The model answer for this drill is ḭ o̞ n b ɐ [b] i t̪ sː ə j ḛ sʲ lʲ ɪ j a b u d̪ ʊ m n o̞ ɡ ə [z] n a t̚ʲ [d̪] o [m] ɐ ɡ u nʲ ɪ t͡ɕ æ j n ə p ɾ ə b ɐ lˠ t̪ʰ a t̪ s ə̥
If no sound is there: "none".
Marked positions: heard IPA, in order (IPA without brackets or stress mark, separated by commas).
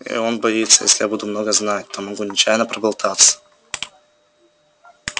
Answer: none, z, t̪, m